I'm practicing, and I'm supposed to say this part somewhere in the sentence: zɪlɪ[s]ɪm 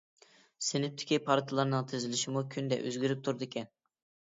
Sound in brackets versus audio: incorrect: ʃ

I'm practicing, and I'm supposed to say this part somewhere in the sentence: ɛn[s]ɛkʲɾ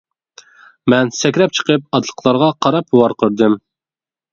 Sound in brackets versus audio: correct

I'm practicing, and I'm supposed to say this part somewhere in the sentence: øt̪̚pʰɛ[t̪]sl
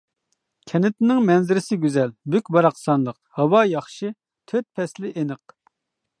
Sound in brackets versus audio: incorrect: none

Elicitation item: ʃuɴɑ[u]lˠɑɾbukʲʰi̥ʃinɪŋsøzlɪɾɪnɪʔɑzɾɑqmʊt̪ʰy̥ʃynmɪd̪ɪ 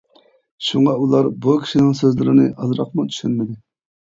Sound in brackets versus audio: correct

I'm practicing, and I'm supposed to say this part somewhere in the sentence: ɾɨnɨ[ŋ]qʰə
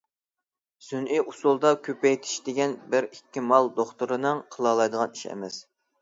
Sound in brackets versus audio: correct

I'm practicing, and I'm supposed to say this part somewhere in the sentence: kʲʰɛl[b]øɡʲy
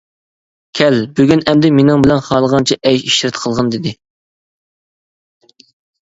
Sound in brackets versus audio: correct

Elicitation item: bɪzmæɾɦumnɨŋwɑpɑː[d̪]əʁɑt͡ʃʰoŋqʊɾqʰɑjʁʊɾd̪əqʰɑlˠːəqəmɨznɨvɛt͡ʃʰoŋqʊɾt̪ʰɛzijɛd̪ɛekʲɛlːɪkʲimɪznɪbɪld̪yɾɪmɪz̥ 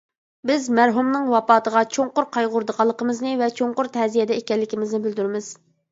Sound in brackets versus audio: incorrect: t̪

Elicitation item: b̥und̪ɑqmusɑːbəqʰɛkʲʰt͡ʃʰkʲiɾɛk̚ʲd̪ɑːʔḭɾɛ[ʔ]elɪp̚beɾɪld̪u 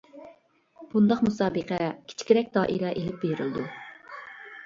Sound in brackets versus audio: correct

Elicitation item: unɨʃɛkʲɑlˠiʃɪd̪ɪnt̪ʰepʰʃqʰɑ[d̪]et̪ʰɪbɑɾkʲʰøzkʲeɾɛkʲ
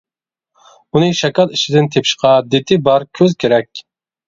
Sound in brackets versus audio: correct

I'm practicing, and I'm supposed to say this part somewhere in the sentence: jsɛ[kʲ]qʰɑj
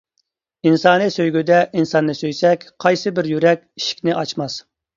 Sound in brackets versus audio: correct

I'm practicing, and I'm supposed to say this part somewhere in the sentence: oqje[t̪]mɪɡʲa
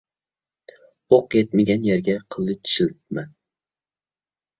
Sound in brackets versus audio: correct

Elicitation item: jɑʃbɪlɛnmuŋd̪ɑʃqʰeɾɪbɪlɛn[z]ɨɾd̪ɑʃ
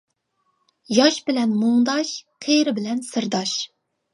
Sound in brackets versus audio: incorrect: s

